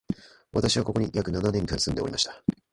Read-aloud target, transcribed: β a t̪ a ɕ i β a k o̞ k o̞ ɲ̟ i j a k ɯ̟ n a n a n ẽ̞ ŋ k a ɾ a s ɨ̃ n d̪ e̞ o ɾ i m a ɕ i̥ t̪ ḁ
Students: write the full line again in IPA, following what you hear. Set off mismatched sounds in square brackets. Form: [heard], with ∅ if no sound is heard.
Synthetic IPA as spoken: β a t̪ a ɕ i β a k o̞ k o̞ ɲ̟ i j a k ɯ̟ n a n a n ẽ̞ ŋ k a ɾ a s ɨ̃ n d̪ e̞ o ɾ i m a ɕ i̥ t̪ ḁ